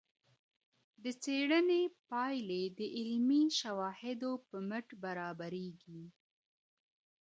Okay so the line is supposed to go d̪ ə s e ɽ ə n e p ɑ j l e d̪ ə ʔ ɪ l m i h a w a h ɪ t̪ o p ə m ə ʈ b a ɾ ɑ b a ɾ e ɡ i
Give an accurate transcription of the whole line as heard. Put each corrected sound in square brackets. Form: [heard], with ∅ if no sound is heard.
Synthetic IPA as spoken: d̪ ə [t͡s] e ɽ ə n e p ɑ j l e d̪ ə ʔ ɪ l m i [ʃ] a w [ɑ] h ɪ [d̪] o p ə m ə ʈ b a ɾ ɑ b a ɾ e ɡ i